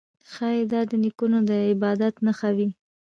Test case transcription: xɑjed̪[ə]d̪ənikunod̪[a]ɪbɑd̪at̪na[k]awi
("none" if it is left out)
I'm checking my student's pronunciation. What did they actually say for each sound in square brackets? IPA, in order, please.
ɑ, ə, x

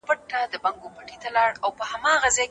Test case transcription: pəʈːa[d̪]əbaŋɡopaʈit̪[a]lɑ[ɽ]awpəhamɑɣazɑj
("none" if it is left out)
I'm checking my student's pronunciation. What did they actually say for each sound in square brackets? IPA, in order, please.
d̪, a, ɽ

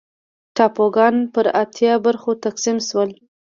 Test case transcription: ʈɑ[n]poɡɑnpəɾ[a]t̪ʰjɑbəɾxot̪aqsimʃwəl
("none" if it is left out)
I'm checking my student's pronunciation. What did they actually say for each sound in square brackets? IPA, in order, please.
none, a

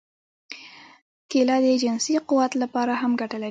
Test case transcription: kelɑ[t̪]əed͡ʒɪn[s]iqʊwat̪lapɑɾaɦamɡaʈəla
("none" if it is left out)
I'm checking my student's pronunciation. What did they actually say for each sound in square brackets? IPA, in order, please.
d̪, s

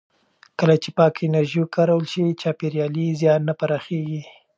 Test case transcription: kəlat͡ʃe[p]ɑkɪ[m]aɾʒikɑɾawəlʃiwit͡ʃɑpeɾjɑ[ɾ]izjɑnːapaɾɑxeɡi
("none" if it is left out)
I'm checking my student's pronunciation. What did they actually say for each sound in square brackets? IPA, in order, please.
p, n, l

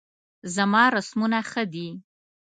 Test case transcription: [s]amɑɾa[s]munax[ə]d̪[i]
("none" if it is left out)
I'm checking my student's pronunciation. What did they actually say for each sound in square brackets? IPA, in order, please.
z, s, ə, i

